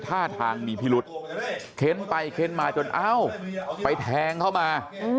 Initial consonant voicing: voiceless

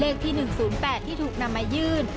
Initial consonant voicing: voiced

